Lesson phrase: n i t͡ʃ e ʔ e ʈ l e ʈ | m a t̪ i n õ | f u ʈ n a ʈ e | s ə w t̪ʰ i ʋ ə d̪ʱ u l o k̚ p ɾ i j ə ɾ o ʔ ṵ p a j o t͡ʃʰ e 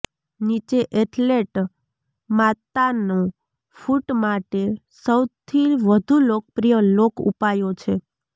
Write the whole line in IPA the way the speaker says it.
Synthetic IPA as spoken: n i t͡ʃ e ʔ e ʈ l e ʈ | m a t̪ a n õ | f u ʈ m a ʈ e | s ə w t̪ʰ i ʋ ə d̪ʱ u l o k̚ p ɾ i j ə l o k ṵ p a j o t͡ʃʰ e